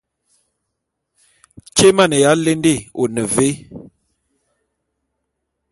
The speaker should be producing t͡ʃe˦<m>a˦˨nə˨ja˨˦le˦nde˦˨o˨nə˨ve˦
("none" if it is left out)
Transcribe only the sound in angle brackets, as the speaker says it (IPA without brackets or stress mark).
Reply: m